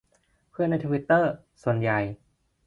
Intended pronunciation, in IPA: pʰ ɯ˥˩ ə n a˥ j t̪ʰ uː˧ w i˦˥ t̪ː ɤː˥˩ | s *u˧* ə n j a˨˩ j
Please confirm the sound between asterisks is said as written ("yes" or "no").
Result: no